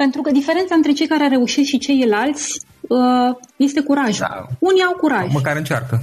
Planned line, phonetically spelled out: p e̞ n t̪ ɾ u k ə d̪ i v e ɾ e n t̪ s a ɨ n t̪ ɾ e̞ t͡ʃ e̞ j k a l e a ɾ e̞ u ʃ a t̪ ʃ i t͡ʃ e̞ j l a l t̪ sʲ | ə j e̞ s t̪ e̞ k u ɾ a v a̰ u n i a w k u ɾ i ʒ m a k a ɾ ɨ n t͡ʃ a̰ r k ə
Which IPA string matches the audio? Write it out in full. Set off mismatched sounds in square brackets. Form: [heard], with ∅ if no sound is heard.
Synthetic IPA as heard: p e̞ n t̪ ɾ u k ə d̪ i [f] e ɾ e n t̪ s a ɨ n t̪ ɾ e̞ t͡ʃ e̞ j k a [ɾ] e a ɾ e̞ u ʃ [i] t̪ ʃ i t͡ʃ e̞ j l a l t̪ sʲ | ə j e̞ s t̪ e̞ k u ɾ a [ʒ] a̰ u n i a w k u ɾ [a] ʒ m [ə] k a ɾ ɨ n t͡ʃ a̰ r k ə